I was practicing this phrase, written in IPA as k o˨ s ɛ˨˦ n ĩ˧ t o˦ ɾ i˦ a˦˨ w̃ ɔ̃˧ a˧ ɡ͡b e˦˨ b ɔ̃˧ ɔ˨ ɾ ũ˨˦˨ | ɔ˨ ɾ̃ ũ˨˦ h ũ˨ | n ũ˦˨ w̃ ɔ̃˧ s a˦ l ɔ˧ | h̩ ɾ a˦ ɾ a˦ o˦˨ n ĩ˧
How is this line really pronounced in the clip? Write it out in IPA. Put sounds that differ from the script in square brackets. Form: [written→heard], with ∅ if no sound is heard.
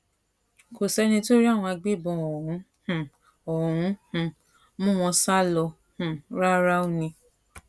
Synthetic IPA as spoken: k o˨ s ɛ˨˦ n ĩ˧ t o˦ ɾ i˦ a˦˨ w̃ ɔ̃˧ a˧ ɡ͡b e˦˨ b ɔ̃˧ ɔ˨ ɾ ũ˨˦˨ | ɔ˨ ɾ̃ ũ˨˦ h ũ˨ | [n→m] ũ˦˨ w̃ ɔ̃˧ s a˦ l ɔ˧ | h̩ ɾ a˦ ɾ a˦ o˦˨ n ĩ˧